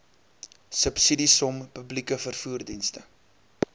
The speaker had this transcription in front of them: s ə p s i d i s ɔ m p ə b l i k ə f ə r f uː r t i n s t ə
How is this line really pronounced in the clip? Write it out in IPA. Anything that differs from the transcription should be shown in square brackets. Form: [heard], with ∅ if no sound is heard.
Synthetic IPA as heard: s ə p s i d i s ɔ m p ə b l i k ə f ə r f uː r [d] i n s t ə

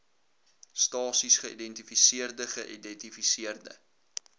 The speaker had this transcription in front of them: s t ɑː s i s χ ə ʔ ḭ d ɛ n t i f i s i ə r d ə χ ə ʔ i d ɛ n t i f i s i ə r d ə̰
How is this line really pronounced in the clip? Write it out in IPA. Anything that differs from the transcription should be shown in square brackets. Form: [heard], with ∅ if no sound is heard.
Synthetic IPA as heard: s t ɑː s i s χ ə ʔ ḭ d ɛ n t i f i s i ə r d ə χ ə ʔ i d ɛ n t i f i s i ə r d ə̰

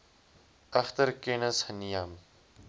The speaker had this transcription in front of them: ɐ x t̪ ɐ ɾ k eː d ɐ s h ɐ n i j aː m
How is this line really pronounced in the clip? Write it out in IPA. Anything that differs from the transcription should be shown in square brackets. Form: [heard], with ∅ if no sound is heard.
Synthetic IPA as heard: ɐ x t̪ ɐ ɾ k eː [n] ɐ s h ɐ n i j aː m

